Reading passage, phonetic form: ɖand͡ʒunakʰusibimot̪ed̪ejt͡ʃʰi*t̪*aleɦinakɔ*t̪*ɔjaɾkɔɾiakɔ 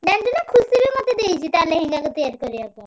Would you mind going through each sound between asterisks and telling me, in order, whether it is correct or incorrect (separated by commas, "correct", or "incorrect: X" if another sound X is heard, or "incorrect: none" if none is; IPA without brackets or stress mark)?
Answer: correct, correct